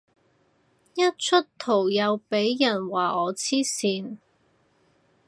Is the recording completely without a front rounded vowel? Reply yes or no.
yes